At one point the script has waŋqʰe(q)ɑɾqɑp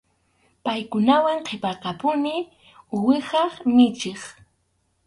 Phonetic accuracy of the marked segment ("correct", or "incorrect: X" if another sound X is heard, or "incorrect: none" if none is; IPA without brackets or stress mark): incorrect: p